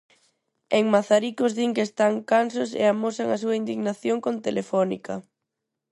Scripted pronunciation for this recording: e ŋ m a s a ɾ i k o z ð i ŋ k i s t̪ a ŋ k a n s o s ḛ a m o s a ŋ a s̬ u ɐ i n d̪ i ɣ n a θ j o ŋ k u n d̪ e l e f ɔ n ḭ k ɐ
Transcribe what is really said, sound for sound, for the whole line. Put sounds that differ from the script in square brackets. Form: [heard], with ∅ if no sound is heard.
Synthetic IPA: e ŋ m a [θ] a ɾ i k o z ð i ŋ k [e] s t̪ a ŋ k a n s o s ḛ a m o s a ŋ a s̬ u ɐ i n d̪ i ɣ n a θ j o ŋ k [o] n [t̪] e l e f ɔ n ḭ k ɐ